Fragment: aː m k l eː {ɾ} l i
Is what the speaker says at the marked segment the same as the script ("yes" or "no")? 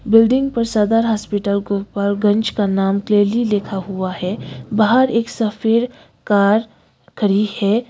yes